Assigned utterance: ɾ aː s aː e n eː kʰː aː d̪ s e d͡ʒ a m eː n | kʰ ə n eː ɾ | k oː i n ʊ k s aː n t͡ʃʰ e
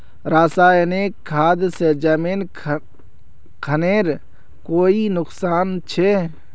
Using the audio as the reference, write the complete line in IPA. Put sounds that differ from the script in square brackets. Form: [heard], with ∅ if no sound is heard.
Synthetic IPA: ɾ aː s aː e n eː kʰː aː d̪ s e d͡ʒ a m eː n | kʰ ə n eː ɾ | k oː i n ʊ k s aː n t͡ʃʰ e